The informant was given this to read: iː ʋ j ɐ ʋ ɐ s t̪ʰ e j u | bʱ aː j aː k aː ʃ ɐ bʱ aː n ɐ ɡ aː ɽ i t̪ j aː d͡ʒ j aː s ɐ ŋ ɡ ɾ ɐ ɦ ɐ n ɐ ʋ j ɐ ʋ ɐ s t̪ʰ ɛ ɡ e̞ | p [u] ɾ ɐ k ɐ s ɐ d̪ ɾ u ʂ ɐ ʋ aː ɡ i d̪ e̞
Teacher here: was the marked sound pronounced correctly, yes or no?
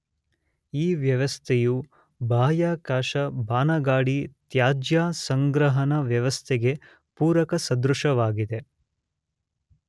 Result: no